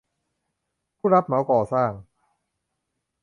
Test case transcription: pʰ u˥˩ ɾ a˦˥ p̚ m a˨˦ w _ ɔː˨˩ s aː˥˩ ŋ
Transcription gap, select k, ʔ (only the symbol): k